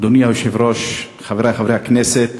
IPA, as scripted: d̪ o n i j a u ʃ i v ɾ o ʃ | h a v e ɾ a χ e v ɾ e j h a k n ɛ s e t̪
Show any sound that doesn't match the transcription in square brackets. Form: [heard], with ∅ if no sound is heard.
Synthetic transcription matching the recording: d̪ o n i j a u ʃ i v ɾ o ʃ | [χ] a v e ɾ a χ [a] v ɾ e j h a k n ɛ s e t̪